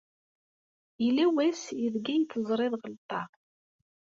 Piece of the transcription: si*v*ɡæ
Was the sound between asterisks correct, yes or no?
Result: no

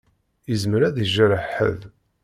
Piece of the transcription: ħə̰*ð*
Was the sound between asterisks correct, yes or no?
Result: yes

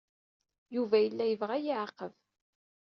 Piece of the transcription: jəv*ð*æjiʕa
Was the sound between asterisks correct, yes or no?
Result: no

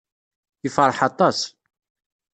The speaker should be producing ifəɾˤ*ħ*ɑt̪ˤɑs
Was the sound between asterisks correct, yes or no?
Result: yes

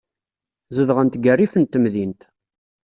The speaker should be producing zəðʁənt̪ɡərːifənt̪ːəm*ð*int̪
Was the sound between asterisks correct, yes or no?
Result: yes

